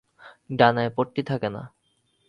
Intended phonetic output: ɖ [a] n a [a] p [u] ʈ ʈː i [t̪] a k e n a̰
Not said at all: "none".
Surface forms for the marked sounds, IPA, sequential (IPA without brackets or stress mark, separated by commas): a, e, o, t̪ʰ